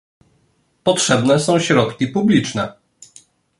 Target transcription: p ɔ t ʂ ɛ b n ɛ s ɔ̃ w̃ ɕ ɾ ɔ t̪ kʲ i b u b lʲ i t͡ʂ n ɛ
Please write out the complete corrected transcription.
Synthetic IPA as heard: p ɔ t ʂ ɛ b n ɛ s ɔ̃ w̃ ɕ ɾ ɔ t̪ kʲ i p u b lʲ i t͡ʂ n ɛ